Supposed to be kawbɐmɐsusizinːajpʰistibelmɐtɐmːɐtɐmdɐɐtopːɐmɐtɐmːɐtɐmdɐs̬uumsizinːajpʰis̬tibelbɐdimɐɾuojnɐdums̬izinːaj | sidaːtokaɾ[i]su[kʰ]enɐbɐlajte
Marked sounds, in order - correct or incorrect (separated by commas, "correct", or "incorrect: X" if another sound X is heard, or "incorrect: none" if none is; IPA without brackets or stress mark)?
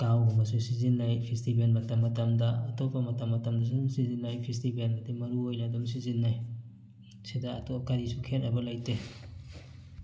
correct, correct